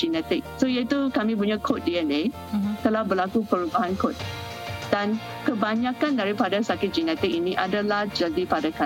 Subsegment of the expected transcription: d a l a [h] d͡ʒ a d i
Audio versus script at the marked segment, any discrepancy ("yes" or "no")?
no